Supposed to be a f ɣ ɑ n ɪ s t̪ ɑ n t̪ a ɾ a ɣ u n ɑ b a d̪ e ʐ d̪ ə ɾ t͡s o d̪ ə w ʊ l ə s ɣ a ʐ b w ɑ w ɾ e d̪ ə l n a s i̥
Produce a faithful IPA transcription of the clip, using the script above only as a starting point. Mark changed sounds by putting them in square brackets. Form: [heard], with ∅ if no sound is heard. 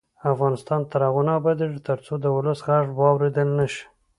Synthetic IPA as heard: a f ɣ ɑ n ɪ s t̪ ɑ n t̪ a ɾ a ɣ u n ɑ b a d̪ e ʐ [t̪] ə ɾ t͡s o d̪ ə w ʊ l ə s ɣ a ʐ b w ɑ w ɾ e d̪ ə l n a [ʃ] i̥

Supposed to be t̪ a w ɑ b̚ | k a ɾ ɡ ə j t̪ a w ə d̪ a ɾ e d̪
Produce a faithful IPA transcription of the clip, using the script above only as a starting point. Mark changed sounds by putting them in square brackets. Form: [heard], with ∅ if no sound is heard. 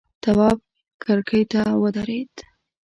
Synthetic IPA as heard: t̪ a w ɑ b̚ | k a ɾ [k] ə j t̪ a w ə d̪ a ɾ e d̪

